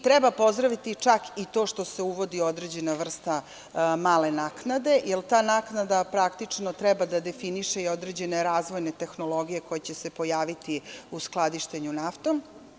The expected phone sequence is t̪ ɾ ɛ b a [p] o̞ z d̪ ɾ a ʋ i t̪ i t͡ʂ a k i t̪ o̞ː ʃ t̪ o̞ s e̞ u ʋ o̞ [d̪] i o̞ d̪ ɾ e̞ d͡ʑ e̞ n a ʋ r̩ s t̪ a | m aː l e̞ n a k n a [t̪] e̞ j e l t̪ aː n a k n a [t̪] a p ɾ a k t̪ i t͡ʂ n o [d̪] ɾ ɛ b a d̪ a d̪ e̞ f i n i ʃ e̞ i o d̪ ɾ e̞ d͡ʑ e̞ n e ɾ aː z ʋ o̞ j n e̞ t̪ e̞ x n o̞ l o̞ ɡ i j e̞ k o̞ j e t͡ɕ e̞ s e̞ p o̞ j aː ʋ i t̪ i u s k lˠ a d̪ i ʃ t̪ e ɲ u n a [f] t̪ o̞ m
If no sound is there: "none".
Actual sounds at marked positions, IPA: p, d̪, d̪, d̪, t̪, f

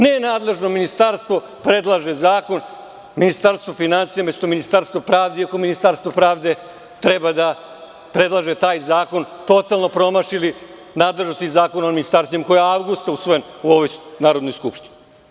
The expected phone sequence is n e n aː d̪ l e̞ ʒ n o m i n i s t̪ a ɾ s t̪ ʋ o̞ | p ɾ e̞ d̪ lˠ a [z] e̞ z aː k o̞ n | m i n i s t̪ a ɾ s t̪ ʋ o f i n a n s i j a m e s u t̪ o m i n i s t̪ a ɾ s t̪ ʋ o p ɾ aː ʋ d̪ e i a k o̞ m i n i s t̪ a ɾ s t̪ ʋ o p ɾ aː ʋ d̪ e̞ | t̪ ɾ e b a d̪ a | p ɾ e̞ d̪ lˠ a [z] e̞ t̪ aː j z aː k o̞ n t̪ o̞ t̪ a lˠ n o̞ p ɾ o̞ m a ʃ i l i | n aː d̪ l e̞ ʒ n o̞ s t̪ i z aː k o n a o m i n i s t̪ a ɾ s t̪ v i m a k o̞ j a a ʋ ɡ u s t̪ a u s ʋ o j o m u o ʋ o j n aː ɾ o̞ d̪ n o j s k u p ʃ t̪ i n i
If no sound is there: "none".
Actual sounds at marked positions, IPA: ʒ, ʒ

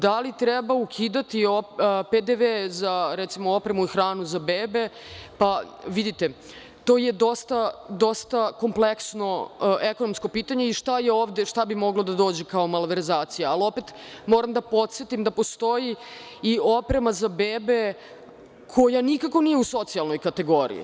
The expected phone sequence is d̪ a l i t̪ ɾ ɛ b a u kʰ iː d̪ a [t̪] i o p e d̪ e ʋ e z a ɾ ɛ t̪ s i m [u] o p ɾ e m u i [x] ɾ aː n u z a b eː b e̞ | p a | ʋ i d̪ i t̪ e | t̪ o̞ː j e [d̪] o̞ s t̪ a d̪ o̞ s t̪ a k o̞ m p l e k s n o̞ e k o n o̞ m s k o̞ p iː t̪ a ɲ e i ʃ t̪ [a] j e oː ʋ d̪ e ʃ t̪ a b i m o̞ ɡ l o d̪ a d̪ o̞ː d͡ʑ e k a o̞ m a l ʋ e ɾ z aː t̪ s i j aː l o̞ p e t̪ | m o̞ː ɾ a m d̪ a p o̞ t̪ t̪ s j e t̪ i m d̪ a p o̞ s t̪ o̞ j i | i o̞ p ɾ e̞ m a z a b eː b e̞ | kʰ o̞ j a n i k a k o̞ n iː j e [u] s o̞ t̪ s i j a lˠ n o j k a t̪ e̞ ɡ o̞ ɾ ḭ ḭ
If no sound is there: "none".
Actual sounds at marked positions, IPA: t̪, o, x, d̪, a, u

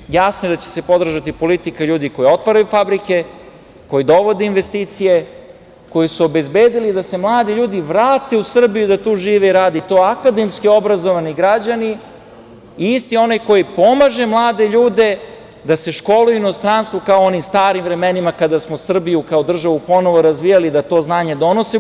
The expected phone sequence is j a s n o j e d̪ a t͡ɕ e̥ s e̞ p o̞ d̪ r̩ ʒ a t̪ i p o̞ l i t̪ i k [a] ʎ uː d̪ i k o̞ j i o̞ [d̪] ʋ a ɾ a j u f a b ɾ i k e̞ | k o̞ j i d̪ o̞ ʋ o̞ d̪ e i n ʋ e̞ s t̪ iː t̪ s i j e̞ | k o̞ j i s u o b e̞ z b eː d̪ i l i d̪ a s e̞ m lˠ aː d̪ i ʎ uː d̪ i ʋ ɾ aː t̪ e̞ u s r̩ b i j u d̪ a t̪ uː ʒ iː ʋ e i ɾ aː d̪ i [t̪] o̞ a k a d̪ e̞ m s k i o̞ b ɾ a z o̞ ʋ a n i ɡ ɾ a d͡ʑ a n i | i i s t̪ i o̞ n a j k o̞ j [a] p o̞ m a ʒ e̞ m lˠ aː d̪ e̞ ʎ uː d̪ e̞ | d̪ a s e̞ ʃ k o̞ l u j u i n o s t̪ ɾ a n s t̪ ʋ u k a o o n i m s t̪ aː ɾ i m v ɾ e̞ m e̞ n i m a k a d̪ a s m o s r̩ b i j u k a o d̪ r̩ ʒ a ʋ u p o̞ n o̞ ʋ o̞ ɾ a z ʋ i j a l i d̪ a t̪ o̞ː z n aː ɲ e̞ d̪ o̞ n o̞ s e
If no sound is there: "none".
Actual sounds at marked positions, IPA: a, t̪, t̪, i

